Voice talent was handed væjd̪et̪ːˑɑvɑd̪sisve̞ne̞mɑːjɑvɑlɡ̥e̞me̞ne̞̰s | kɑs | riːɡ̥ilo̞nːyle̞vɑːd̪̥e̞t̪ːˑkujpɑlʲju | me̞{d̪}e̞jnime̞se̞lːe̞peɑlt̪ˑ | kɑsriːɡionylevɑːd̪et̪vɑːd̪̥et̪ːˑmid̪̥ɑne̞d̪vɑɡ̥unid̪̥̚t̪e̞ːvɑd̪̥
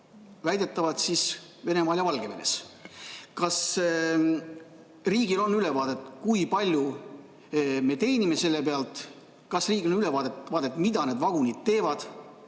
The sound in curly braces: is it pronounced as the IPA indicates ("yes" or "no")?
no